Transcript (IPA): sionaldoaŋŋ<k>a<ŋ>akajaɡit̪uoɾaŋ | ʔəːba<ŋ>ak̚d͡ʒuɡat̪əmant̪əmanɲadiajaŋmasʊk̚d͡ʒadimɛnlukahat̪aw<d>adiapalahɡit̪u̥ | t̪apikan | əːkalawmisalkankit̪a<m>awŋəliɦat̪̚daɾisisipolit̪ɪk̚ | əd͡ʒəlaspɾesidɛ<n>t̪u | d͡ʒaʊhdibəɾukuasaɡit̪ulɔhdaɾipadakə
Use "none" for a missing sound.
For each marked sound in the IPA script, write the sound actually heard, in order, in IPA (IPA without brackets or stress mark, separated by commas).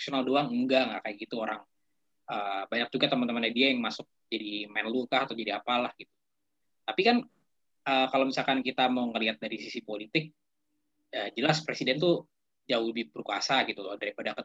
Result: ɡ, ŋ, ɲ, d͡ʒ, m, n